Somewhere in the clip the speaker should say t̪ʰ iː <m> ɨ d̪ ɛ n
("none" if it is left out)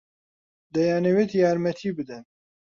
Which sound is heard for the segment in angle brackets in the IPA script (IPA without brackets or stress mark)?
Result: b